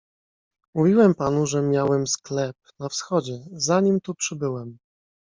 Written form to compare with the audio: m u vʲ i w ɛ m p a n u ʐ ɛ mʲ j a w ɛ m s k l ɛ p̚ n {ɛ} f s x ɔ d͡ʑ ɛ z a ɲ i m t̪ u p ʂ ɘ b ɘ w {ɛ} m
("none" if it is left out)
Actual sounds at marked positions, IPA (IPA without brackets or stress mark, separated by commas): a, ɛ